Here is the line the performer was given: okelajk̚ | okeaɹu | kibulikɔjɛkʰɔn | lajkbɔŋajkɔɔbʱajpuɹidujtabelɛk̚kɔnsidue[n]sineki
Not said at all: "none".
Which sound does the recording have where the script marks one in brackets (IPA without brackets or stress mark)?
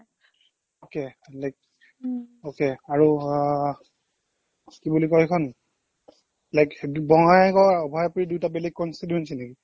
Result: n